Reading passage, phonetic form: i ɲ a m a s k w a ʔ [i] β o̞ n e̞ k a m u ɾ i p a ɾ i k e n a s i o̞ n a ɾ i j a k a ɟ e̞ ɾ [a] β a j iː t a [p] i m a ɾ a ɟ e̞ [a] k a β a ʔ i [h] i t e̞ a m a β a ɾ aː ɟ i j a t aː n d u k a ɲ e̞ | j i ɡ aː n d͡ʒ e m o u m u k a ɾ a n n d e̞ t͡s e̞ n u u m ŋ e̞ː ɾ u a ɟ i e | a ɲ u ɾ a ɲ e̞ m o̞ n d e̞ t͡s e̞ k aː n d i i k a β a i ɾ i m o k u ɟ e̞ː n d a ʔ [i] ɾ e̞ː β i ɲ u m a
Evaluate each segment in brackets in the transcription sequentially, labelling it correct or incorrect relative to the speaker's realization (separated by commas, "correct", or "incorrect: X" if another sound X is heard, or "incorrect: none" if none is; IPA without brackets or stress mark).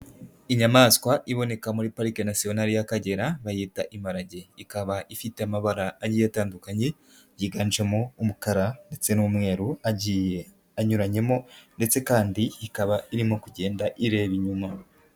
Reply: correct, correct, incorrect: ʔ, incorrect: i, incorrect: f, correct